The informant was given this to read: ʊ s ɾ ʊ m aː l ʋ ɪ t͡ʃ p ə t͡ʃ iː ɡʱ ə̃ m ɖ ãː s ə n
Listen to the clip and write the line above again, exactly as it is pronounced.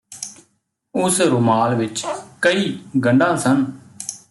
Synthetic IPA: ʊ s ɾ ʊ m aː l ʋ ɪ t͡ʃ k ə iː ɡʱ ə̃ ɳ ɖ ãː s ə n